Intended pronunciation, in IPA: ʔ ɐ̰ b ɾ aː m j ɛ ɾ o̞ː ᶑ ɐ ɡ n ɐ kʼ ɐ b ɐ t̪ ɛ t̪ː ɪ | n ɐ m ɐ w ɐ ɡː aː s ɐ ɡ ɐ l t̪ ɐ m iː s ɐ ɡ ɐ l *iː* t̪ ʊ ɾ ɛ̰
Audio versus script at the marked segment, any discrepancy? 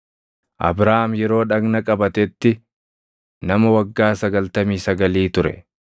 no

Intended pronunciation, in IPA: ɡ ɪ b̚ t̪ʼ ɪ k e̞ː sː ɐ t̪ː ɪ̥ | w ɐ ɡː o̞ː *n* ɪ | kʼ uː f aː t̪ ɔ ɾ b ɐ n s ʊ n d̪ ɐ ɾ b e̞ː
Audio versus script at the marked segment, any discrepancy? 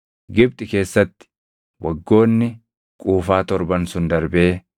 yes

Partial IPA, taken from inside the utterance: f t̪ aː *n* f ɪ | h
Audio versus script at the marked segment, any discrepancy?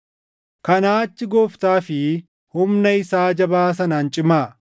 yes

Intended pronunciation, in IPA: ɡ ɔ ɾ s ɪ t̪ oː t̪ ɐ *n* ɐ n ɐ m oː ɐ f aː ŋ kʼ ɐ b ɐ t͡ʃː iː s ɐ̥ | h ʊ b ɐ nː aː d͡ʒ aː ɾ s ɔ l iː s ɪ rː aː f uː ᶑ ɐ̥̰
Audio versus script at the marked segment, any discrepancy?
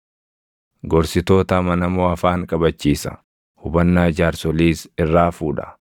yes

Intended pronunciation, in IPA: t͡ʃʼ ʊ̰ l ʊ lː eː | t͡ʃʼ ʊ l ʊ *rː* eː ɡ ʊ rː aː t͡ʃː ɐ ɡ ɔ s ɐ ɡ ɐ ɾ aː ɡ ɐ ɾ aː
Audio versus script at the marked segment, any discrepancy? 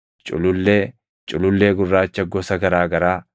yes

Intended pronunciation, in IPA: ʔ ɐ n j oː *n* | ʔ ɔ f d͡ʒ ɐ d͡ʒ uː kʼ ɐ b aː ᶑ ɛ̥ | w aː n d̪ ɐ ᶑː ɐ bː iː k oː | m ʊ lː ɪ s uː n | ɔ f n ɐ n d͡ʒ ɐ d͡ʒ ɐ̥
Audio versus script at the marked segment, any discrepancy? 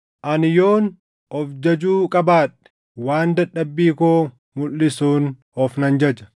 no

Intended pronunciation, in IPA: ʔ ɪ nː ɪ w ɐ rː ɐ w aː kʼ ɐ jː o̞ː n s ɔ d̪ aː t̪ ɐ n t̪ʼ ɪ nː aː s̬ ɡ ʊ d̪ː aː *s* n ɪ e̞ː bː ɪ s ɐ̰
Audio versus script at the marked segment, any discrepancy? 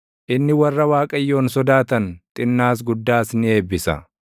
no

